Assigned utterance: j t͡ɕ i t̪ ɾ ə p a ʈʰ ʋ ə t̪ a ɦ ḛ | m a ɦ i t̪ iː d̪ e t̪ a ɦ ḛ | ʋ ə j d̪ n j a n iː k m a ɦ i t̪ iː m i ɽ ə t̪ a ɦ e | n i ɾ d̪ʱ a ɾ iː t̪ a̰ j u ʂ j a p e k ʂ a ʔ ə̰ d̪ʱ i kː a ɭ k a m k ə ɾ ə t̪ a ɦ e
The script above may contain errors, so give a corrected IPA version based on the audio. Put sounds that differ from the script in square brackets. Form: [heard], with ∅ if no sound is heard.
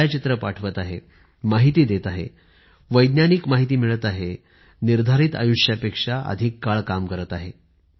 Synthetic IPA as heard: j t͡ɕ i t̪ ɾ ə p a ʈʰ ʋ ə t̪ a ɦ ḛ | m a ɦ i t̪ iː d̪ e t̪ a ɦ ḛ | ʋ ə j d̪ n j a n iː k m a ɦ i t̪ iː m i [ɭ] ə t̪ a ɦ e | n i ɾ d̪ʱ a ɾ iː t̪ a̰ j u ʂ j a p e k ʂ a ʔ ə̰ d̪ʱ i kː a ɭ k a m k ə ɾ ə t̪ a ɦ e